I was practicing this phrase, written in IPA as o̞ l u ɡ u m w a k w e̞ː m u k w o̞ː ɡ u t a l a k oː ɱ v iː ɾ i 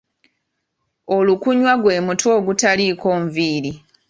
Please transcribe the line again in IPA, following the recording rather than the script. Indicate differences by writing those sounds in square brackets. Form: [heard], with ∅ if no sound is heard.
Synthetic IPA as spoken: o̞ l u [k] u [ɲ] w a [ɡ] w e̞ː m u [t] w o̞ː ɡ u t a l [i] k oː ɱ v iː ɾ i